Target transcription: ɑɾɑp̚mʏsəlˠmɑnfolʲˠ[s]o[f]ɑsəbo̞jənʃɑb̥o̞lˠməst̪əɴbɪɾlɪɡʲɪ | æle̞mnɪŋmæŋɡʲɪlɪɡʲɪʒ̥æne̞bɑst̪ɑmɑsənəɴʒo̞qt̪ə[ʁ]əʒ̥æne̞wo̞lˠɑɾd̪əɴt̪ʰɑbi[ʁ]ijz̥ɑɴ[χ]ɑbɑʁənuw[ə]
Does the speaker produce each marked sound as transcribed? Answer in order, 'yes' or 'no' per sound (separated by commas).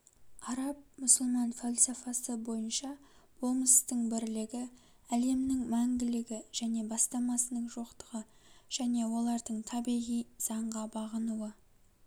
yes, yes, yes, yes, no, yes